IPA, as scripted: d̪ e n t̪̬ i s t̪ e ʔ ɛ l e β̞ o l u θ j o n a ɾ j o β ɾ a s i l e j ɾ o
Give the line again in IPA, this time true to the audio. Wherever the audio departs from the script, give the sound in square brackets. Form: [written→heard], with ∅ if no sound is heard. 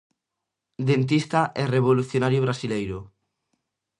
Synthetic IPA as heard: d̪ e n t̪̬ i s t̪ [e→a] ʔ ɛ [l→r] e β̞ o l u θ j o n a ɾ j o β ɾ a s i l e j ɾ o